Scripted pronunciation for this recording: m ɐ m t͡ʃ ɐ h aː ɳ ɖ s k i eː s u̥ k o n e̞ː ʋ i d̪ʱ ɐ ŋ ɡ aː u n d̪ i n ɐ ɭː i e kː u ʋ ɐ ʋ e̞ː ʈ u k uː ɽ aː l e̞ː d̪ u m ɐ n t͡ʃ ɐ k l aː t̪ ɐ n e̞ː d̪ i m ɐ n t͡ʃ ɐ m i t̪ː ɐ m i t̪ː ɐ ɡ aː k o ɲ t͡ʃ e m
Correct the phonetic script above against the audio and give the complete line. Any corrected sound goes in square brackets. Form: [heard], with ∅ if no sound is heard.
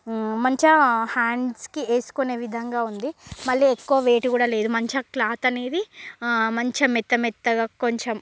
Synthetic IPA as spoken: m ɐ [ɲ] t͡ʃ ɐ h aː ɳ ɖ s k i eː s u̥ k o n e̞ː ʋ i d̪ʱ ɐ ŋ ɡ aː u n d̪ i [m] ɐ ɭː i e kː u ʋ ɐ ʋ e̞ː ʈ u k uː ɽ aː l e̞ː d̪ u m ɐ [ɲ] t͡ʃ ɐ k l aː t̪ ɐ n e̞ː d̪ i m ɐ [ɲ] t͡ʃ ɐ m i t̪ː ɐ m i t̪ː ɐ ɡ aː k o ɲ t͡ʃ e m